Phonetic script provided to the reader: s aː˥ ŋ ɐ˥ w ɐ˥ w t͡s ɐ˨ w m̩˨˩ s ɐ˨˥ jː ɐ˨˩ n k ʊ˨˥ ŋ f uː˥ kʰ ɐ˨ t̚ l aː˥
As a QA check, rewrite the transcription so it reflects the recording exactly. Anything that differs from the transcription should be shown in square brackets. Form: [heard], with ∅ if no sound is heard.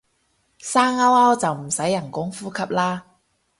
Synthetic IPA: s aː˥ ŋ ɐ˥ w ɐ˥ w t͡s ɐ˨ w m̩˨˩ s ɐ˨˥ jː ɐ˨˩ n k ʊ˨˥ ŋ f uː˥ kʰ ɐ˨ [p̚] l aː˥